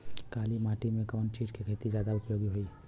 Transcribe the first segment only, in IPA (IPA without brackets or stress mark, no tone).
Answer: k